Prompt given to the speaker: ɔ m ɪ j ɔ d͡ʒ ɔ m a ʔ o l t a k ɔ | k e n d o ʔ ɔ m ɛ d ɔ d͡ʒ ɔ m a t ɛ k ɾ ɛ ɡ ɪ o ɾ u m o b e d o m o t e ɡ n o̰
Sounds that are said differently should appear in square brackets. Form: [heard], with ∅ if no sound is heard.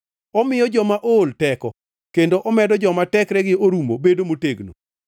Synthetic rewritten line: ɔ m ɪ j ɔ d͡ʒ ɔ m a ʔ o l t [ɛ] k ɔ | k e n d o ʔ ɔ m ɛ d ɔ d͡ʒ ɔ m a t ɛ k ɾ ɛ ɡ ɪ o ɾ u m o b e d o m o t e ɡ n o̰